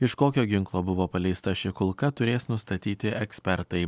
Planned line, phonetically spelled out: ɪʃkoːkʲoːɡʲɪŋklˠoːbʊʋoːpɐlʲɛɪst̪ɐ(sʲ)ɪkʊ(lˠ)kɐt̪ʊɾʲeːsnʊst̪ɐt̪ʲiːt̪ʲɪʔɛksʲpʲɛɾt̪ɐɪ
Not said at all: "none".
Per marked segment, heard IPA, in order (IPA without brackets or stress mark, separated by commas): ʃʲ, lˠ